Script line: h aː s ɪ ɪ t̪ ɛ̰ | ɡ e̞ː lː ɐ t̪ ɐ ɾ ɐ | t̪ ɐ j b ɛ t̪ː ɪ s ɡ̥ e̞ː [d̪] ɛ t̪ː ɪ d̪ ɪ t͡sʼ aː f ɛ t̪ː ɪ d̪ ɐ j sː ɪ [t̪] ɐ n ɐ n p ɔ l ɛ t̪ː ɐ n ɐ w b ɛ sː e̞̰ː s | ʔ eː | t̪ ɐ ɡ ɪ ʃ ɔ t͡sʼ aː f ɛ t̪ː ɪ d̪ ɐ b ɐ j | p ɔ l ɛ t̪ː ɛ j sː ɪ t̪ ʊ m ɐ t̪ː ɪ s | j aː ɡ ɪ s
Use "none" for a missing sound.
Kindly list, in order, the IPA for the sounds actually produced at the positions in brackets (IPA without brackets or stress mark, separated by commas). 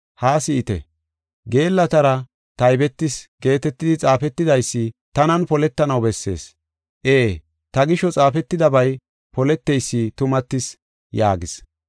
t̪, t̪